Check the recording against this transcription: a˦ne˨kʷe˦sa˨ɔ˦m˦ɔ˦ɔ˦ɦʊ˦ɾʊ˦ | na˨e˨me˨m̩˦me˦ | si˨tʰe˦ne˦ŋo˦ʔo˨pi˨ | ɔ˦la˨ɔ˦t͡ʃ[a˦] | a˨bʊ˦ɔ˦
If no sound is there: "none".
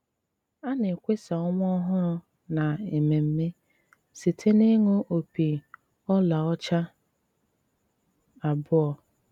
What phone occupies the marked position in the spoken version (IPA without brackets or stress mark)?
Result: a˦